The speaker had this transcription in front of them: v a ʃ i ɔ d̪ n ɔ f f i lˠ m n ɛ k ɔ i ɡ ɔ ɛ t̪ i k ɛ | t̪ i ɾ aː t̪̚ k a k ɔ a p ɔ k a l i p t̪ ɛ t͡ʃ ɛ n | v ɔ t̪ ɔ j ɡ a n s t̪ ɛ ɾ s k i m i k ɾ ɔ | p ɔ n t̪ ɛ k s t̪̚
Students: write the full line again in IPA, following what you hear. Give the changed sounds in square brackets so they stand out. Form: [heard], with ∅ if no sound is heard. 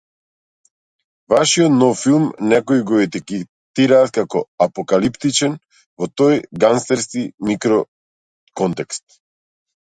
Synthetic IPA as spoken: v a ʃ i ɔ [t̪] n ɔ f f i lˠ m n ɛ k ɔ i ɡ ɔ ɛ t̪ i k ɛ | t̪ i ɾ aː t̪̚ k a k ɔ a p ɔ k a l i p t̪ [i] t͡ʃ ɛ n | v ɔ t̪ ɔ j ɡ a n s t̪ ɛ ɾ s k i m i k ɾ ɔ | [k] ɔ n t̪ ɛ k s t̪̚